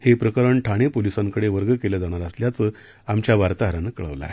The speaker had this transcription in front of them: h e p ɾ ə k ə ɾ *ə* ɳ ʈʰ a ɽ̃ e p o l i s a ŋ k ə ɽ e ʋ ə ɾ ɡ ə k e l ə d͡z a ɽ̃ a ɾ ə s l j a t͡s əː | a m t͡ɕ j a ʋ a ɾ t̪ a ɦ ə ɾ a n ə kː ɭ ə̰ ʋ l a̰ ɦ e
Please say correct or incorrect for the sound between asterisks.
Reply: correct